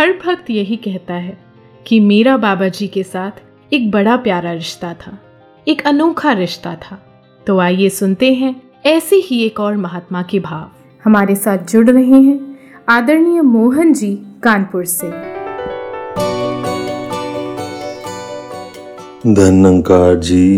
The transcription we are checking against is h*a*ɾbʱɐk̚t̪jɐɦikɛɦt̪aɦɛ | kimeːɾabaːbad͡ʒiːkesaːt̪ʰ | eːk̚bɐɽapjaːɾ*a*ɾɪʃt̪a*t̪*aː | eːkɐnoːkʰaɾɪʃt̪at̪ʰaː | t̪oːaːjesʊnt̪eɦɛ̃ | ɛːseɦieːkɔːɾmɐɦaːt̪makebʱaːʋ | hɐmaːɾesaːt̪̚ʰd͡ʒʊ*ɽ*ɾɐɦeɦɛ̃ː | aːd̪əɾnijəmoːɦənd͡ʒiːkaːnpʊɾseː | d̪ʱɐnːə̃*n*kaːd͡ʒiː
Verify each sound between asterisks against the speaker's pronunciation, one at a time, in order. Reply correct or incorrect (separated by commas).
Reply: incorrect, correct, incorrect, correct, incorrect